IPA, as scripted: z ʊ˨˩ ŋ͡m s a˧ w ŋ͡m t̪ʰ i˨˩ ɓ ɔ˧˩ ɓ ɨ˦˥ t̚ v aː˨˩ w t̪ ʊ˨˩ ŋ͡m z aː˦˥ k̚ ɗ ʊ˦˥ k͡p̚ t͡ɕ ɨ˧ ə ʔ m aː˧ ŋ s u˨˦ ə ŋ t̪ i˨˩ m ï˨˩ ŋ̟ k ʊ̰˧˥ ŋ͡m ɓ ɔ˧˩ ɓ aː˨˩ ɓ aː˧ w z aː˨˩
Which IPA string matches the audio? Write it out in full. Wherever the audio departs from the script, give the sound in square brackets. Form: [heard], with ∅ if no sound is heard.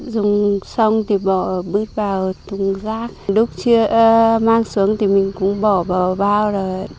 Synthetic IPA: z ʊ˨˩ ŋ͡m s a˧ w ŋ͡m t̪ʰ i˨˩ ɓ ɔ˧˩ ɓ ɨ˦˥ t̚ v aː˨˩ w t̪ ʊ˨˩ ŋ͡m z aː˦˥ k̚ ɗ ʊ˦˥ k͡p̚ t͡ɕ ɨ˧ ə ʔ m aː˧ ŋ s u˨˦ ə ŋ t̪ i˨˩ m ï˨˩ ŋ̟ k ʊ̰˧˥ ŋ͡m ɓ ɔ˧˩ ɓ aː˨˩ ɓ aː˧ w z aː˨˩